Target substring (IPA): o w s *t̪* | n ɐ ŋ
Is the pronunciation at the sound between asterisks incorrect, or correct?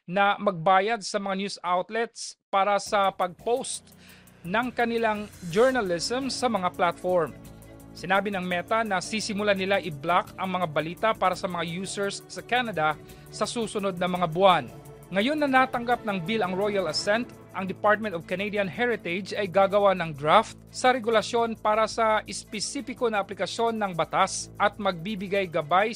correct